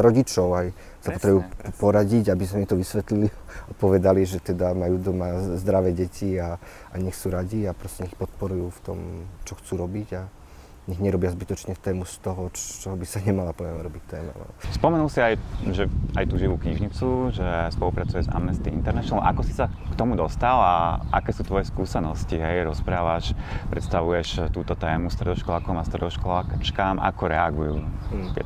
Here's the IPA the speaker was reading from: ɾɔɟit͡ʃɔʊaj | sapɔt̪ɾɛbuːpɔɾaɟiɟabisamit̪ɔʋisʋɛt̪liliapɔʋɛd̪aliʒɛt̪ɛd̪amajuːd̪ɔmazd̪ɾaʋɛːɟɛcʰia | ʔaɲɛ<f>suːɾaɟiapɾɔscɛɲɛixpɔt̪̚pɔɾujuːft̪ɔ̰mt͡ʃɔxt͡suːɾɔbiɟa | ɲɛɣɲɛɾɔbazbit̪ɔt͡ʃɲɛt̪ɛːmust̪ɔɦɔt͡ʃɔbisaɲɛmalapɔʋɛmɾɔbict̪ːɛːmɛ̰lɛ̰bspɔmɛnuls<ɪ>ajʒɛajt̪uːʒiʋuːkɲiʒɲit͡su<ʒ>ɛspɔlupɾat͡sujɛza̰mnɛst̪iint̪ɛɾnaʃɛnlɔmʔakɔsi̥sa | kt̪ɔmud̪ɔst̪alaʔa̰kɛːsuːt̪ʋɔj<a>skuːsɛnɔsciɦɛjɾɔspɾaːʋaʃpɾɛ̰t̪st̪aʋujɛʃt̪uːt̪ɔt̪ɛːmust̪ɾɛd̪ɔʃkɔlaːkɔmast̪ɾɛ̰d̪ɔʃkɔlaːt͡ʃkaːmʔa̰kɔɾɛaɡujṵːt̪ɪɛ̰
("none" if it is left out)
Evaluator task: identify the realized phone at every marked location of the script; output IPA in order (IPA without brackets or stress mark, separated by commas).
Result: x, i, ʒ, ɛ